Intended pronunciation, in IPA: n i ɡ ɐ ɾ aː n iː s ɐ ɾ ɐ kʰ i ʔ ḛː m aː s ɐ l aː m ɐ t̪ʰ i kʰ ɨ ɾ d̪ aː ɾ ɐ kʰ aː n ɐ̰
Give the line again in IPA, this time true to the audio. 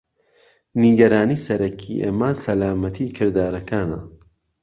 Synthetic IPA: n i ɡ ɐ ɾ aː n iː s ɐ ɾ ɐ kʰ i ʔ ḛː m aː s ɐ l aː m ɐ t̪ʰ i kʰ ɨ ɾ d̪ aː ɾ ɐ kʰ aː n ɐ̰

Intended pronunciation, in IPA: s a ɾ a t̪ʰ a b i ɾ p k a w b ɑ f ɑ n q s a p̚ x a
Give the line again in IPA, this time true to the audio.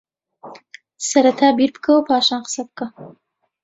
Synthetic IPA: s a ɾ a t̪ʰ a b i ɾ p k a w p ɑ ʃ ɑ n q s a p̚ k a

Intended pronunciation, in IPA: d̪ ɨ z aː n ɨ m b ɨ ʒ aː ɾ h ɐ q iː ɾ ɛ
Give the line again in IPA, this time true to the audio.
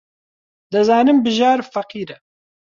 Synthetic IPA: d̪ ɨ z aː n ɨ m b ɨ ʒ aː ɾ f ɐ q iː ɾ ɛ

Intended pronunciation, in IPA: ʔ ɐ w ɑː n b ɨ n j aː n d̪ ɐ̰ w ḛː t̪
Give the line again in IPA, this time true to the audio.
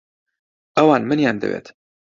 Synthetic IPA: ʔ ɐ w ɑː n m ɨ n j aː n d̪ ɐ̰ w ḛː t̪

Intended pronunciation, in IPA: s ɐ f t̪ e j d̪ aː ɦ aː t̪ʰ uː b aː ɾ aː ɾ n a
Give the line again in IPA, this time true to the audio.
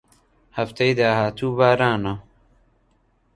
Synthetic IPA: h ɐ f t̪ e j d̪ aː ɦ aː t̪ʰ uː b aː ɾ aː n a

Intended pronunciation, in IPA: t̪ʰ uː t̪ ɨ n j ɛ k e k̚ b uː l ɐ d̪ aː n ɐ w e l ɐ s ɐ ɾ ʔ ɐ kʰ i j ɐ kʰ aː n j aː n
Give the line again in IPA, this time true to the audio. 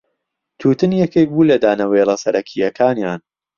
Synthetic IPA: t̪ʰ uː t̪ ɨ n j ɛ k e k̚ b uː l ɐ d̪ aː n ɐ w e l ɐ s ɐ ɾ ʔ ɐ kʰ i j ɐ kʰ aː n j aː n

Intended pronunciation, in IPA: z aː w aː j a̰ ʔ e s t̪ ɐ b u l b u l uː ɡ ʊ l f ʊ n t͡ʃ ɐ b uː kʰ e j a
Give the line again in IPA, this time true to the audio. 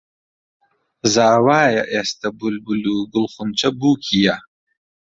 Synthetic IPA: z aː w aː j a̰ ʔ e s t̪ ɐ b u l b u l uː ɡ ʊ l χ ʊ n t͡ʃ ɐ b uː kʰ i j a

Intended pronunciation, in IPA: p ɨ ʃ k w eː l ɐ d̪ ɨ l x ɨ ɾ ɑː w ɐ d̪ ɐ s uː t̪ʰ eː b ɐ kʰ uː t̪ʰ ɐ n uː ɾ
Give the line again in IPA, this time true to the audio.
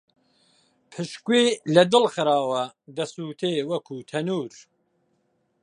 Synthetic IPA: pʰ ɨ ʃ k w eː l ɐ d̪ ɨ l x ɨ ɾ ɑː w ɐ d̪ ɐ s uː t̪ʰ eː w ɐ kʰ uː t̪ʰ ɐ n uː ɾ

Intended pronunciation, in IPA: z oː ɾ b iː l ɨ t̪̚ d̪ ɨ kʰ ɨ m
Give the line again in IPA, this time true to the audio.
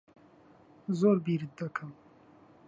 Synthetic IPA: z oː ɾ b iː ɾ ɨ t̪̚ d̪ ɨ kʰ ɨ m

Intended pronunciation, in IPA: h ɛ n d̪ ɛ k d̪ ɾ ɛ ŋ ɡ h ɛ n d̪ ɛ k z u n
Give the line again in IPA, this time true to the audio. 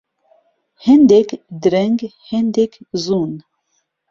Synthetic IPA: h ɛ n d̪ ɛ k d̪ ɾ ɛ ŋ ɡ h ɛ n d̪ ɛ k z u n

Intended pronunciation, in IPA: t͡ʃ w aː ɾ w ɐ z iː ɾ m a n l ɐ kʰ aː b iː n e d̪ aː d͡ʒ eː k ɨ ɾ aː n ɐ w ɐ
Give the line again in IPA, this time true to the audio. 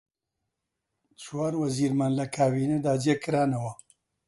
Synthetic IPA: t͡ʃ w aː ɾ w ɐ z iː ɾ m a n l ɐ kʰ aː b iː n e d̪ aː d͡ʒ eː k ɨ ɾ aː n ɐ w ɐ

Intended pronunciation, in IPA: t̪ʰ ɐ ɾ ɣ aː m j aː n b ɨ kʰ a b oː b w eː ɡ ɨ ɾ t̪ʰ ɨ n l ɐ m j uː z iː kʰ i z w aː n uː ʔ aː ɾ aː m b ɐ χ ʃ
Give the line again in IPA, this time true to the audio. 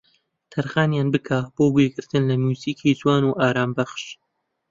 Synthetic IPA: t̪ʰ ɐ ɾ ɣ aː n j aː n b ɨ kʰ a b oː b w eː ɡ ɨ ɾ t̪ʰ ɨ n l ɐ m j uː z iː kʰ i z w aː n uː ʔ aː ɾ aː m b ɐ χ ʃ

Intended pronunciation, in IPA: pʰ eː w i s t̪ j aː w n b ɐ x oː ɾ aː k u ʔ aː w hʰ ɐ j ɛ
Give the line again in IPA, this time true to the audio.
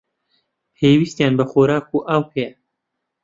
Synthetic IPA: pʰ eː w i s t̪ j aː n b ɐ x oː ɾ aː k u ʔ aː w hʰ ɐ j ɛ

